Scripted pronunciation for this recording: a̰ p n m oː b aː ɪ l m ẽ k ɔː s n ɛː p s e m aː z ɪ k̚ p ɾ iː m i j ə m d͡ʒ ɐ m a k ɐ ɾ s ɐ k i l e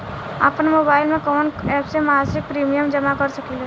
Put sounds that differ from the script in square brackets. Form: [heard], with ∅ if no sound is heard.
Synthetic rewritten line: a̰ p n m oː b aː ɪ l m ẽ k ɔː [∅] n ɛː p s e m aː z ɪ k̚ p ɾ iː m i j ə m d͡ʒ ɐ m a k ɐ ɾ s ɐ k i l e